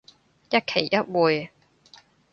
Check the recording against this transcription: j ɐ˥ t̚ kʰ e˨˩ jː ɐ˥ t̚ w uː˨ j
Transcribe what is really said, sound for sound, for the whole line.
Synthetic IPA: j ɐ˥ t̚ kʰ e˨˩ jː ɐ˥ t̚ w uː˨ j